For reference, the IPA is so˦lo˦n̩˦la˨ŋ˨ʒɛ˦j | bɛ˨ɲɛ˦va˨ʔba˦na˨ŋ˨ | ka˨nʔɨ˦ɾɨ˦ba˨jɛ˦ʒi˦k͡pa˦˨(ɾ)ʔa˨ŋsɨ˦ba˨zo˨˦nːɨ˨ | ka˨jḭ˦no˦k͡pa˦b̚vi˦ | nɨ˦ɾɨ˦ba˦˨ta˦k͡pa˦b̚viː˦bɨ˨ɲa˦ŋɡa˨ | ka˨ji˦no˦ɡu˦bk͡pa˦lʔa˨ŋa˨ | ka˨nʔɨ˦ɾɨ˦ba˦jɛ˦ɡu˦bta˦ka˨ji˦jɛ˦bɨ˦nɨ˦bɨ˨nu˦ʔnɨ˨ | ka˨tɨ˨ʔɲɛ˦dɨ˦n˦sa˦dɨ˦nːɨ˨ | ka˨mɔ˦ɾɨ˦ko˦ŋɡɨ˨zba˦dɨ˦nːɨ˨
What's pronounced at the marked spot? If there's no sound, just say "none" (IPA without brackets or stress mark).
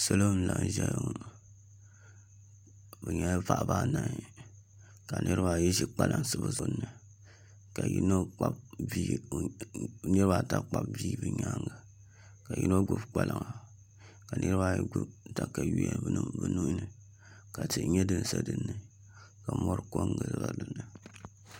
l